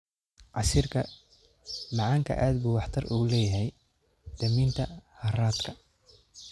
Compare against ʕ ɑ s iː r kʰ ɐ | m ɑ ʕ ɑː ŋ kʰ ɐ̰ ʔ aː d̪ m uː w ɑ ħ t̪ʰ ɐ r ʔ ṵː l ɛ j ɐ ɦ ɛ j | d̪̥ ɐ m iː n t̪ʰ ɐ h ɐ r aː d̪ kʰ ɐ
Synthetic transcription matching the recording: ʕ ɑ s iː r kʰ ɐ | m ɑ ʕ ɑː ŋ kʰ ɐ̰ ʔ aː d̪ b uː w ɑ ħ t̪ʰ ɐ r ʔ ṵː l ɛː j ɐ ɦ ɛ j | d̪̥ ɐ m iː n t̪ʰ ɐ h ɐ r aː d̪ kʰ ɐ